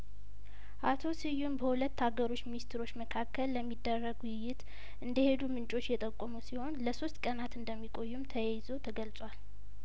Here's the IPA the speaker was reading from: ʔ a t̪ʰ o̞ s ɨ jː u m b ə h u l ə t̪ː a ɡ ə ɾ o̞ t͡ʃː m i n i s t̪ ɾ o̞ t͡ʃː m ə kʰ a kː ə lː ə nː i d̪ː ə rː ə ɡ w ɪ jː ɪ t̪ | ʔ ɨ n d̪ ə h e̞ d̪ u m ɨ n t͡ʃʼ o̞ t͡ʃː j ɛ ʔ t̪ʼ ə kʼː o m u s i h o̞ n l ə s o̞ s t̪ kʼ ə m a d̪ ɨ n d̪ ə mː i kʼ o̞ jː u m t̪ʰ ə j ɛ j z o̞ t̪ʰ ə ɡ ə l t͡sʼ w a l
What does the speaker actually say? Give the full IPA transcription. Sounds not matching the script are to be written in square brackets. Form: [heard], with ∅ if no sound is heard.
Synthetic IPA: ʔ a t̪ʰ o̞ s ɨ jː u m b ə h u l ə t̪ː a ɡ ə ɾ o̞ t͡ʃː m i n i s t̪ ɾ o̞ t͡ʃː m ə kʰ a kː ə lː ə [mː] i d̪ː ə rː ə ɡ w ɪ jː ɪ t̪ | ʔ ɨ n d̪ ə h e̞ d̪ u m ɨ n t͡ʃʼ o̞ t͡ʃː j ɛ [∅] t̪ʼ ə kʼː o m u s i h o̞ n l ə s o̞ s t̪ kʼ ə [n] a [t̪] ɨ n d̪ ə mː i kʼ o̞ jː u m t̪ʰ ə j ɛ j z o̞ t̪ʰ ə ɡ ə l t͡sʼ w a l